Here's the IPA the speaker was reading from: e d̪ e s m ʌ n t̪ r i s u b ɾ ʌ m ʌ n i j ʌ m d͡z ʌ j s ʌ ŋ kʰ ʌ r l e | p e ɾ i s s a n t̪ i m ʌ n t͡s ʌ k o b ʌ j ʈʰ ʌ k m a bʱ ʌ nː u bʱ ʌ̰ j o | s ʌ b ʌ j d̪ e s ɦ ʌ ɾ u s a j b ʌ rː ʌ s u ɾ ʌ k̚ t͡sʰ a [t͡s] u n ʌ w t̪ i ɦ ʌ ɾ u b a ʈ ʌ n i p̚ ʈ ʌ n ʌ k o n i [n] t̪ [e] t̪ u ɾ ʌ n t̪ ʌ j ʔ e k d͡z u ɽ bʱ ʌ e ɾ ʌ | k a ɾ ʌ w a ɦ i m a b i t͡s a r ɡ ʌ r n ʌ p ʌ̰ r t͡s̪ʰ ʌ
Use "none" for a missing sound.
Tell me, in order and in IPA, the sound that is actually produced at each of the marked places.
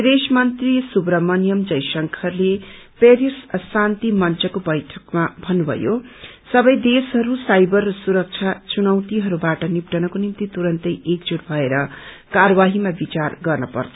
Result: t͡s, m, i

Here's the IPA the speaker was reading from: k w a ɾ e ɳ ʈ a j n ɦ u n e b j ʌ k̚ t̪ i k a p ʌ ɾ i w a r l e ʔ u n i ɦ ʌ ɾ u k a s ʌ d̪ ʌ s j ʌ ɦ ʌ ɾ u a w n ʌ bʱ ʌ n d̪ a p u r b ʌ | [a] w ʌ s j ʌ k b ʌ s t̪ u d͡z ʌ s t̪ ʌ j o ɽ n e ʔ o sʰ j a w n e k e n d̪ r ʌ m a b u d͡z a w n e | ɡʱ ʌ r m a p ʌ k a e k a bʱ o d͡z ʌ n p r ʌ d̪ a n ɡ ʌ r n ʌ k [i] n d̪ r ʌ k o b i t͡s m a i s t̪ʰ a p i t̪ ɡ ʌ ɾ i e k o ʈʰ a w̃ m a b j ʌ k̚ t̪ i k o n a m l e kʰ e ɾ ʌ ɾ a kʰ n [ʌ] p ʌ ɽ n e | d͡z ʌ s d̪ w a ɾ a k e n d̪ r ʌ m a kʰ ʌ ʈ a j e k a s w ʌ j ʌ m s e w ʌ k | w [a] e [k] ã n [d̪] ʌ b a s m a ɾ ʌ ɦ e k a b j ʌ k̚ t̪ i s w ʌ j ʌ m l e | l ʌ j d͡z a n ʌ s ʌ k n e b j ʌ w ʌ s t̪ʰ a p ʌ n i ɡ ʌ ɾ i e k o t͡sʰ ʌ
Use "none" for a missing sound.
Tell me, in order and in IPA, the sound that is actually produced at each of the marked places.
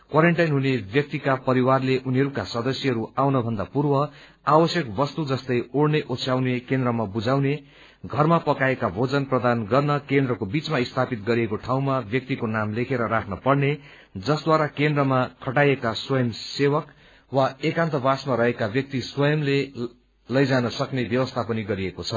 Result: a, e, ʌ, a, k, t̪

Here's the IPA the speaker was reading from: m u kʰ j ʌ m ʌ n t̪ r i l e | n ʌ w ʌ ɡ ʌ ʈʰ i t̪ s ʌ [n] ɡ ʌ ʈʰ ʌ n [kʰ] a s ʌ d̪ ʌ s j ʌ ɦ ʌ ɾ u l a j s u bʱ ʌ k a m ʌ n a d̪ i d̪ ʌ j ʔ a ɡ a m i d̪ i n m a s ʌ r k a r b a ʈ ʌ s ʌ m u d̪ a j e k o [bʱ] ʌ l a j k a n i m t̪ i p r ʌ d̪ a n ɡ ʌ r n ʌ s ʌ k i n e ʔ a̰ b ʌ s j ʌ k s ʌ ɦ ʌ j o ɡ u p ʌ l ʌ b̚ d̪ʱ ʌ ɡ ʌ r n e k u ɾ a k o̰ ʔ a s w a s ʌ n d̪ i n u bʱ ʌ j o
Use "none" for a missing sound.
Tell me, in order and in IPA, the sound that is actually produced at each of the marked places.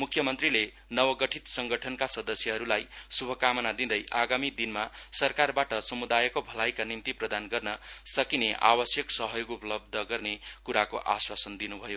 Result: ŋ, k, bʱ

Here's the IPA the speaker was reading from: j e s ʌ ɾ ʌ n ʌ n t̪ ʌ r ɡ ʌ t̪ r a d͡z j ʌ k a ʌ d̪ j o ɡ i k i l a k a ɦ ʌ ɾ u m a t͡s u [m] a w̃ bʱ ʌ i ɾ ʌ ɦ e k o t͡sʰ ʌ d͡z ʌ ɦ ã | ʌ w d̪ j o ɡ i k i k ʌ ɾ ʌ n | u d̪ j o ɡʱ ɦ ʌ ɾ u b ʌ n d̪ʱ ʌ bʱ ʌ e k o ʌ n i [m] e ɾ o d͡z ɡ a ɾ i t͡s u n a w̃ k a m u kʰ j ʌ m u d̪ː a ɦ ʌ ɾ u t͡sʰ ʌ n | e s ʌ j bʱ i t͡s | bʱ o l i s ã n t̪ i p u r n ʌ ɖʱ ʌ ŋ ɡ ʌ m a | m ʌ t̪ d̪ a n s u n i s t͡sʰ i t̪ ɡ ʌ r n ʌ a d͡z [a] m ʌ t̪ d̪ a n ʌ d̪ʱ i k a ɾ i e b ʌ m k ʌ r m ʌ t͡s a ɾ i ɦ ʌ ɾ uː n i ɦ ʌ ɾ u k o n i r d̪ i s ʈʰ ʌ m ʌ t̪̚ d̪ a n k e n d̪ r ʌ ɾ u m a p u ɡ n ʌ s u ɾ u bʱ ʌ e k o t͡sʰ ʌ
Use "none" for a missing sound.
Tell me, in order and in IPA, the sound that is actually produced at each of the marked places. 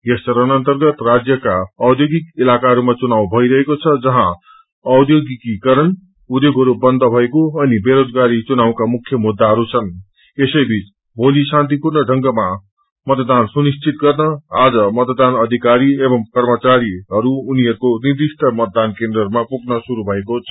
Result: n, b, ʌ

